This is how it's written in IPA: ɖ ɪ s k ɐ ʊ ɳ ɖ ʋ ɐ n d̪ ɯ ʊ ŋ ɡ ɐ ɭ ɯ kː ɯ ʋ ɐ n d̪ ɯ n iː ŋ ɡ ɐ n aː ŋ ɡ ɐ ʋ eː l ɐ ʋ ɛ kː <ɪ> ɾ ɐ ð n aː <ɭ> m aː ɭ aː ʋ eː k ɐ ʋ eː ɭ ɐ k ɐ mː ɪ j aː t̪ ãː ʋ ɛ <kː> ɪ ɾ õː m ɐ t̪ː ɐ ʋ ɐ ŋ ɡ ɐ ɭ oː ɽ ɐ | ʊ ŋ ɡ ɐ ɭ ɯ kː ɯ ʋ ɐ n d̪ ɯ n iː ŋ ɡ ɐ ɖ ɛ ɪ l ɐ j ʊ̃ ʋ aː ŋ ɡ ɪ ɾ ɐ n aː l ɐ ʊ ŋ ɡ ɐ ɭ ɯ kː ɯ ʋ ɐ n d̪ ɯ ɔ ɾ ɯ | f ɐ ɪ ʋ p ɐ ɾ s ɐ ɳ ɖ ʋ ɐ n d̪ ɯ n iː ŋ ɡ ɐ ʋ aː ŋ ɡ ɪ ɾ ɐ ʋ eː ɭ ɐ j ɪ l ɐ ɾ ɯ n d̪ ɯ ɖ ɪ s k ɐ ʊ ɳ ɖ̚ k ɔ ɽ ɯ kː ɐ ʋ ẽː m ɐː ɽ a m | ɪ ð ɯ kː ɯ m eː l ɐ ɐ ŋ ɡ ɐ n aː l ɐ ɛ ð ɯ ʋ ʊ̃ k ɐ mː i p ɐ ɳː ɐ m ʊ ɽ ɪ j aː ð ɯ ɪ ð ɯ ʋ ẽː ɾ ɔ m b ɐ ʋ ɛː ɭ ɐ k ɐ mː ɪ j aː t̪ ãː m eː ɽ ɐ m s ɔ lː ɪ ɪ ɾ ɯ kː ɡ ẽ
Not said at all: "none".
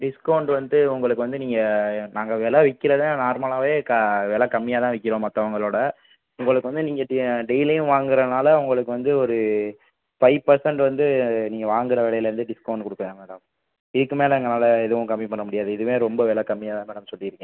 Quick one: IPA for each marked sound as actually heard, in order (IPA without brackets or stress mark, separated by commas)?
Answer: ɪ, ɾ, kː